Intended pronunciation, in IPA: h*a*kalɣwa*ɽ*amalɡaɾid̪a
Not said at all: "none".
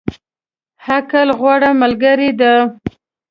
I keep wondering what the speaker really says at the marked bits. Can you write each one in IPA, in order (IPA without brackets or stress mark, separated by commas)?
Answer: a, ɽ